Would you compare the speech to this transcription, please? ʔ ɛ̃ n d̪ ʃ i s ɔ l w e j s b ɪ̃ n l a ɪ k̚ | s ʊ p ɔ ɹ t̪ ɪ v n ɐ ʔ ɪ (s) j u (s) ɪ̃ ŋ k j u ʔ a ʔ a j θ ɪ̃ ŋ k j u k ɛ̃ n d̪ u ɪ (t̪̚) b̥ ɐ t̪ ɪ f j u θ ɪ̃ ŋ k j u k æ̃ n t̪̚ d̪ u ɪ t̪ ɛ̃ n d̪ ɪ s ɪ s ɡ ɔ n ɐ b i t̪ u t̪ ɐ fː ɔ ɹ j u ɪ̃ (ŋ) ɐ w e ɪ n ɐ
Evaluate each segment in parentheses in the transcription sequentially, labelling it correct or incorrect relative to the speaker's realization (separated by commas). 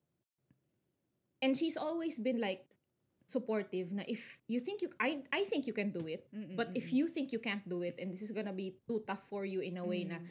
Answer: incorrect, incorrect, correct, incorrect